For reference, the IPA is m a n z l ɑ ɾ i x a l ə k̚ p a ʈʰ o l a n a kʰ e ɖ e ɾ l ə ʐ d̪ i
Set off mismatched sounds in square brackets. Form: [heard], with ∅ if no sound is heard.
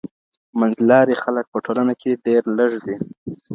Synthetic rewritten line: m a n z l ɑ ɾ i x a l ə k̚ p [ə] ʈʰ o l a n a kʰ e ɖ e ɾ l ə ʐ d̪ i